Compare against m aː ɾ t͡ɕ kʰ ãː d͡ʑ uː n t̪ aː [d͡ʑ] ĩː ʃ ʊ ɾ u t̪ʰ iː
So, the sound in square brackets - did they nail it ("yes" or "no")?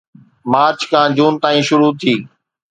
no